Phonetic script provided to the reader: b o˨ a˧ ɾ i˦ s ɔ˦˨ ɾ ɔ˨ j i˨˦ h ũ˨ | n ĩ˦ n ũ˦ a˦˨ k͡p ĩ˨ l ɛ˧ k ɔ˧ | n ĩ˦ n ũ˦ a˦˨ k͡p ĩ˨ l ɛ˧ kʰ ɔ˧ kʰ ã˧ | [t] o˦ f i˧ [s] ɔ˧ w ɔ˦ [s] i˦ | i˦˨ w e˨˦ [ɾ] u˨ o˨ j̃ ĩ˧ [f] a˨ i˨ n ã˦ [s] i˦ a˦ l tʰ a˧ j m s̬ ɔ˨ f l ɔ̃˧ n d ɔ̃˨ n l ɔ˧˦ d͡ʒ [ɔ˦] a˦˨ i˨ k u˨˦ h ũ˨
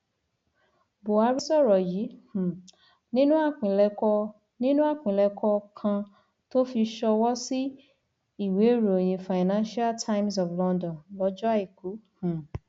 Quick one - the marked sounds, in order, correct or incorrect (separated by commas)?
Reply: correct, incorrect, correct, correct, correct, incorrect, correct